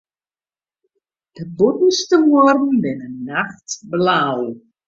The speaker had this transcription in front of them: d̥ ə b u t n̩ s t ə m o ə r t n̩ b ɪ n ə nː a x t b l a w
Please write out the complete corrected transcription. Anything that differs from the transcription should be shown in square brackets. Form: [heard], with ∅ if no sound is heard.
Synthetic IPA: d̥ ə b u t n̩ s t ə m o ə r [d] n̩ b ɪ n ə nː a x t b l a w

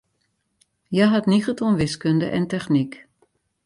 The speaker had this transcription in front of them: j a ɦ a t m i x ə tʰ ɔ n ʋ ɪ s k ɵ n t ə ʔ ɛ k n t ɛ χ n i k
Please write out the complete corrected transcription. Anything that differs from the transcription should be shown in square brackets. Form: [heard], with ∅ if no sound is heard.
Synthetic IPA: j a ɦ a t [n] i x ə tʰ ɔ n ʋ ɪ s k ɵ n [d] ə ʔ ɛ [∅] n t ɛ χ n i k

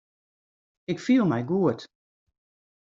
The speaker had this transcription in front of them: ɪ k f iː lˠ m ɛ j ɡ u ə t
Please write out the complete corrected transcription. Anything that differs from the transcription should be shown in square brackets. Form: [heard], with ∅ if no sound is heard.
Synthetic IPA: ɪ k f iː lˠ m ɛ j ɡ u ə t

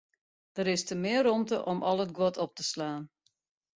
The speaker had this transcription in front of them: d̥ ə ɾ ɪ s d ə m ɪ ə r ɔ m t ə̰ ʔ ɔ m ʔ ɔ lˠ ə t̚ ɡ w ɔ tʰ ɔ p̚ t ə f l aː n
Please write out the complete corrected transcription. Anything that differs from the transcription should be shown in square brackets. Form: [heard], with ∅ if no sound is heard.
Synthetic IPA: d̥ ə ɾ ɪ s [t] ə m ɪ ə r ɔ m t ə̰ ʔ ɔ m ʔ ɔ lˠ ə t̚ ɡ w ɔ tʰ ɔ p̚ t ə [s] l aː n

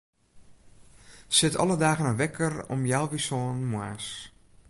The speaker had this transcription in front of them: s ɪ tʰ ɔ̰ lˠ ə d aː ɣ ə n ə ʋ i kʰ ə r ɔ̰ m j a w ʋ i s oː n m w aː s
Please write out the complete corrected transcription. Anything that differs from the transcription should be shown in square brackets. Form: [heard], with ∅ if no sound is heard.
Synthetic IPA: s ɪ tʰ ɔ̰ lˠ ə d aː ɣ ə n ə ʋ [ɛ] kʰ ə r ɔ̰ m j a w ʋ i s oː n m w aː s

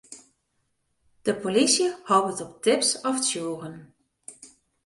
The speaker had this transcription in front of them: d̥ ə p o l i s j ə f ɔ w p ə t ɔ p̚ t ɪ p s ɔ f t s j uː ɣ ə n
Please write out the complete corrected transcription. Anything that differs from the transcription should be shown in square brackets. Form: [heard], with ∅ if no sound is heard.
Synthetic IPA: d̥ ə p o l i s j ə [h] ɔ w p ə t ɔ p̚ t ɪ p s ɔ f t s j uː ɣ ə n

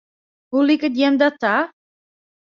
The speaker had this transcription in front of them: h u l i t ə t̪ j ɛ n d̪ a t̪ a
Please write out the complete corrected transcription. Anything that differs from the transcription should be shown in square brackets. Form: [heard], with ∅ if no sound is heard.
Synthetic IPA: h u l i [k] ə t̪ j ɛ [m] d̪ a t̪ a

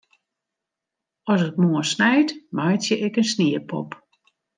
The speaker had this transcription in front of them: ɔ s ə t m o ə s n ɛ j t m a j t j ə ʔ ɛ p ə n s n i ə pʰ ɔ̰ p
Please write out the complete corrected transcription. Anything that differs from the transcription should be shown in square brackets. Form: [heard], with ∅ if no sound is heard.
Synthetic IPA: ɔ s ə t m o ə s n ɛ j t m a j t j ə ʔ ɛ [k] ə n s n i ə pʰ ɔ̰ p

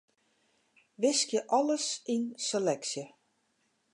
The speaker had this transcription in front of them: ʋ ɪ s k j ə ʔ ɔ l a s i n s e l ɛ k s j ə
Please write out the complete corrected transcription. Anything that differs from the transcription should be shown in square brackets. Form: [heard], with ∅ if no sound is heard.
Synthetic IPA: ʋ ɪ s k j ə ʔ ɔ l [ə] s i n s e l ɛ k s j ə

